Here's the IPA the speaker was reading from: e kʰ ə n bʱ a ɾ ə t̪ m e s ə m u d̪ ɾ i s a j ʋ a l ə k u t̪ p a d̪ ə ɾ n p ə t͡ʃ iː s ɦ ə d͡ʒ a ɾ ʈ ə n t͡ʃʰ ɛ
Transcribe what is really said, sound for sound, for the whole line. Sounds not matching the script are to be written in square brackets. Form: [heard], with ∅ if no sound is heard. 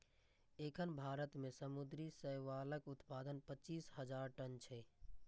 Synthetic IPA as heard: e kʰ ə n bʱ a ɾ ə t̪ m e s ə m u d̪ ɾ i s [ə] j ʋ a l ə k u t̪ p a d̪ ə [∅] n p ə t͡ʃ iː s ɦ ə d͡ʒ a ɾ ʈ ə n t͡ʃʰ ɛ